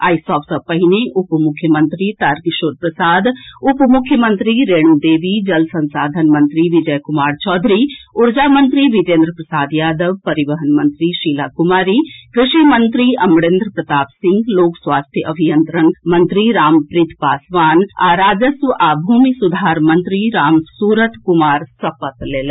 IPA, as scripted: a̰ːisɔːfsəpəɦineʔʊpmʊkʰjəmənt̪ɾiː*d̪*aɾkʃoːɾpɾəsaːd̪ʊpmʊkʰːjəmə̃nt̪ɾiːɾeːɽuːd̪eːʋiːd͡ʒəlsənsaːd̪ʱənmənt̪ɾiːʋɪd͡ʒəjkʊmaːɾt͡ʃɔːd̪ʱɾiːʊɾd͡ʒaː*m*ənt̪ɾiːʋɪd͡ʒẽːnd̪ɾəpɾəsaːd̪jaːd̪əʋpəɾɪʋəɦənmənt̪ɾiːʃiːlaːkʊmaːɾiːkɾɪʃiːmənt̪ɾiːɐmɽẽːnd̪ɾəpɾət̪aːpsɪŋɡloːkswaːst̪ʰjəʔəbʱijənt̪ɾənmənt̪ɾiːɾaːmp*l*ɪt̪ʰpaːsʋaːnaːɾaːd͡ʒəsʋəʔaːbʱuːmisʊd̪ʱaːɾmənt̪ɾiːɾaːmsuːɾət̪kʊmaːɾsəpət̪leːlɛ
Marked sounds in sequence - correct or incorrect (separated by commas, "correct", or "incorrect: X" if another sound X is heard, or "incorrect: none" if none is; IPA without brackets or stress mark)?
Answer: incorrect: t̪, correct, incorrect: ɾ